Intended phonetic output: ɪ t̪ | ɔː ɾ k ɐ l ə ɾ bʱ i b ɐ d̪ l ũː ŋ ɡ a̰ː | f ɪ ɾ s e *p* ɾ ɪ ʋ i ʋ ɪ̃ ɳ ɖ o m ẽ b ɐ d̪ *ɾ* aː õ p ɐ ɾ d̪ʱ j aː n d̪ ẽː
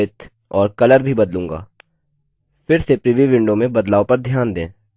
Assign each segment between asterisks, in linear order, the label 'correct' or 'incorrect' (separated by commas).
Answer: correct, incorrect